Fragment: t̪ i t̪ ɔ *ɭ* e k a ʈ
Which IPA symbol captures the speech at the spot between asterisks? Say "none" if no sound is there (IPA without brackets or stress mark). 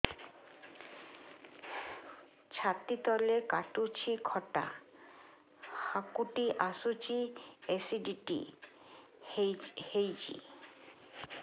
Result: l